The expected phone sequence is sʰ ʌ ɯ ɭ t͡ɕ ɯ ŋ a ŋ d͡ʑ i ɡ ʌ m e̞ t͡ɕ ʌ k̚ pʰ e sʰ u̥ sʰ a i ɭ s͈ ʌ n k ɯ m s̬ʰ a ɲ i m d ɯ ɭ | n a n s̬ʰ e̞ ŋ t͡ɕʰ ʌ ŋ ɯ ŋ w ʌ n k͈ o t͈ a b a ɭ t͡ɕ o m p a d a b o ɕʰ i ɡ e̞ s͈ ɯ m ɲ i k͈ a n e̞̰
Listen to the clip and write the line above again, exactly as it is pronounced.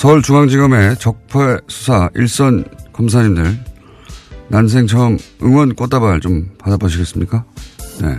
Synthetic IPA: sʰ ʌ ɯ ɭ t͡ɕ u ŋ a ŋ d͡ʑ i ɡ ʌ m e̞ t͡ɕ ʌ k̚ pʰ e sʰ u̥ sʰ a i ɭ s͈ ʌ n k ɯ m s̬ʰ a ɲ i m d ɯ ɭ | n a n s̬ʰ e̞ ŋ t͡ɕʰ ʌ ŋ ɯ ŋ w ʌ n k͈ o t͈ a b a ɭ t͡ɕ o m p a d a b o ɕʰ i ɡ e̞ s͈ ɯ m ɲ i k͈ a n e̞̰